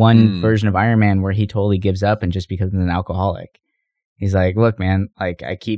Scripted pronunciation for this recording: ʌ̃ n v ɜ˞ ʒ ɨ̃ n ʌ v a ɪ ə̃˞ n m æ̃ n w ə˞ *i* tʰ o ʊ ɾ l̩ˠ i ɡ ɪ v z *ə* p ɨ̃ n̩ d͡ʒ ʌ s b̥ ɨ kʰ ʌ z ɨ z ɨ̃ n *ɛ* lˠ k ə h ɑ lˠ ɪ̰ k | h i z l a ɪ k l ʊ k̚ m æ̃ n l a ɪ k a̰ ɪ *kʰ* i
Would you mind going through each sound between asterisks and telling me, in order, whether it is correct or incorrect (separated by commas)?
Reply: correct, incorrect, incorrect, correct